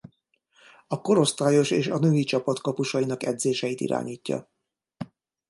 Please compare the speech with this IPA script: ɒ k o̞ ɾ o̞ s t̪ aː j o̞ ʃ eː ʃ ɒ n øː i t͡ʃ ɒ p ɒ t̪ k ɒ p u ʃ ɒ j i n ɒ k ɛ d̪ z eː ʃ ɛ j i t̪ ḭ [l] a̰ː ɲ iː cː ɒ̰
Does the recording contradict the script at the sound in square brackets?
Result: yes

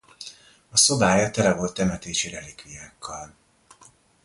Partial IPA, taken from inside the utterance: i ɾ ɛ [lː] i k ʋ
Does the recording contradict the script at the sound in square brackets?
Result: yes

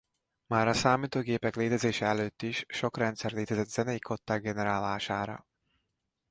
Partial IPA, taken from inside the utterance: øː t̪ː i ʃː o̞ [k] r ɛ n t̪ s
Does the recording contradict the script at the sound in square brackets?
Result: no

